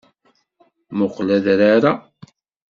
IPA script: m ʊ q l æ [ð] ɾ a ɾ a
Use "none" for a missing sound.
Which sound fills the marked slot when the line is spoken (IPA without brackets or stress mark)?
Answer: ð